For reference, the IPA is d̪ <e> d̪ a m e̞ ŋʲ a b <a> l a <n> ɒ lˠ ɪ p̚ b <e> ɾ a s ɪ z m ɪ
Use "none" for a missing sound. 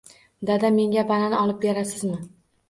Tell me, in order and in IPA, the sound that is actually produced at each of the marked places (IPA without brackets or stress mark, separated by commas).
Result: a, a, n, e